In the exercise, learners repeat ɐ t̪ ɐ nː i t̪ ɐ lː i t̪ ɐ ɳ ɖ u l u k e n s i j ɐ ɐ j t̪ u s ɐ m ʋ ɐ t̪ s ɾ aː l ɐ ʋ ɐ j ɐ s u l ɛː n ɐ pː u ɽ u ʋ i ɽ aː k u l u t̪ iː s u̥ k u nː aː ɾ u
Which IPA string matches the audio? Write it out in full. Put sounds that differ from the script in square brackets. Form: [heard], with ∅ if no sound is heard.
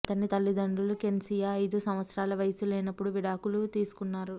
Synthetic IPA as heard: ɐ t̪ ɐ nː i t̪ ɐ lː i [d̪] ɐ ɳ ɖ u l u k e n s i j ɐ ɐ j [d̪] u s ɐ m ʋ ɐ t̪ s ɾ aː l ɐ ʋ ɐ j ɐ s u l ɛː n ɐ pː u ɽ u ʋ i ɽ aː k u l u t̪ iː s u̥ k u nː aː ɾ u